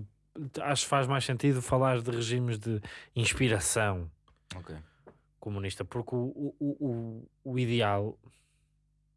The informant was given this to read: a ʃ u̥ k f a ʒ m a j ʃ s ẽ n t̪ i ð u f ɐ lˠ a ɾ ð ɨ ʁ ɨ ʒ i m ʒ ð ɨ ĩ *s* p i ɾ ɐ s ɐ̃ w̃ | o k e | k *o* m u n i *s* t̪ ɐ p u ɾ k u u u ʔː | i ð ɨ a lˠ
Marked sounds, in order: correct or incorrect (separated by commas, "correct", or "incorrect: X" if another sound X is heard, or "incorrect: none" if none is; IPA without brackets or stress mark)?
incorrect: ʃ, incorrect: u, incorrect: ʃ